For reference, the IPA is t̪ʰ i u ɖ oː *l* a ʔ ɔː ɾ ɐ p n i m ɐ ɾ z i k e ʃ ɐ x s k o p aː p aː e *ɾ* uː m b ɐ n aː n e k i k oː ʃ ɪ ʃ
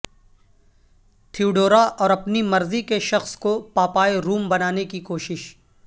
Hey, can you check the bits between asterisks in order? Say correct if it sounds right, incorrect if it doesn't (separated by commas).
incorrect, correct